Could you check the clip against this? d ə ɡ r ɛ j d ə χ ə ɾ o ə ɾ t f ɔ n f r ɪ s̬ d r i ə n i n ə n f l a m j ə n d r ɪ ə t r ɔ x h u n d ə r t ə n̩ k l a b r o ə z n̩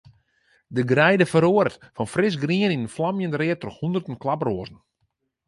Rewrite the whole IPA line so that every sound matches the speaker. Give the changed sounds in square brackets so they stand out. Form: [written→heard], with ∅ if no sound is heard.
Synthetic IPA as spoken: d ə ɡ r ɛ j d ə [χ→f] ə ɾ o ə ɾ t f ɔ n f r ɪ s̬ [d→ɡ] r i ə n i n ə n f l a m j ə n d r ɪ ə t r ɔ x h u n d ə r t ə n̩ k l a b r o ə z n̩